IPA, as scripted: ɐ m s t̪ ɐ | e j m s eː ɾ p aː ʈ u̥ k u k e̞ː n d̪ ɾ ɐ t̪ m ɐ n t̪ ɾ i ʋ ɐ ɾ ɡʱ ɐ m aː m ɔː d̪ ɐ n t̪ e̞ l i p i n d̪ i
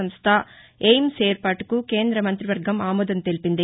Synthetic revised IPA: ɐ m s t̪ʰ ɐ | e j m s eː ɾ p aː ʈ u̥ k u k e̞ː n d̪ ɾ ɐ m ɐ n t̪ ɾ i ʋ ɐ ɾ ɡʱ ɐ m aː m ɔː d̪ ɐ n t̪ e̞ l i p i n d̪ i